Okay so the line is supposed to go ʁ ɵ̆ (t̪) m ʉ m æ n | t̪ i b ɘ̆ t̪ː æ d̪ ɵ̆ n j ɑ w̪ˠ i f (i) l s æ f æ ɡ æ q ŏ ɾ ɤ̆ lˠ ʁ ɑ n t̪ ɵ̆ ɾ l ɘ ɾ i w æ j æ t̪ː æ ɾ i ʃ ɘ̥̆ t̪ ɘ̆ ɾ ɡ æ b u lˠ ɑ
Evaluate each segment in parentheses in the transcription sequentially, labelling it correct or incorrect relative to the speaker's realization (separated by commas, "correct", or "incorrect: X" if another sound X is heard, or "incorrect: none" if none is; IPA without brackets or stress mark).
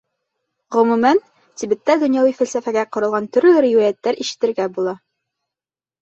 incorrect: none, incorrect: æ